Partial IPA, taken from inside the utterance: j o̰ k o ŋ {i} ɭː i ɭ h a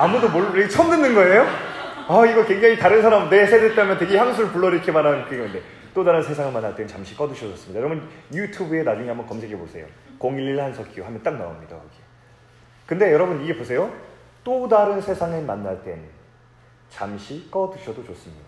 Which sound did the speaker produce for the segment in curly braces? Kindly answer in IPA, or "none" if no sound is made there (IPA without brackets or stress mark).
i